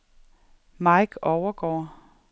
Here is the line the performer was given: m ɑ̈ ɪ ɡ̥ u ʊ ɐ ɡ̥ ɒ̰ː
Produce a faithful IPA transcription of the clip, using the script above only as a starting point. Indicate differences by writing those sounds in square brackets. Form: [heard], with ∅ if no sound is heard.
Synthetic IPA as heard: m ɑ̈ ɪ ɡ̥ [ɒ] ʊ ɐ ɡ̥ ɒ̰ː